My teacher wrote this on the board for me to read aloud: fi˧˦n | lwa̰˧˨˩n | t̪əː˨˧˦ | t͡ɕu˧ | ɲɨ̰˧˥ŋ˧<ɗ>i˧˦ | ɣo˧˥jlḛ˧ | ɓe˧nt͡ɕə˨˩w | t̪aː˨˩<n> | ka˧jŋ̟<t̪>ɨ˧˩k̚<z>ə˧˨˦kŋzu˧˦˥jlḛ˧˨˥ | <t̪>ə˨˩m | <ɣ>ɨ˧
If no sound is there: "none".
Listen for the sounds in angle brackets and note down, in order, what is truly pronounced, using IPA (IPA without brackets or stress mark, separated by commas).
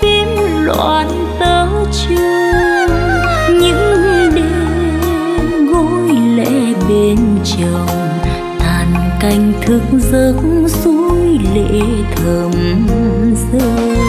ɗ, n, t̪ʰ, z, t̪ʰ, z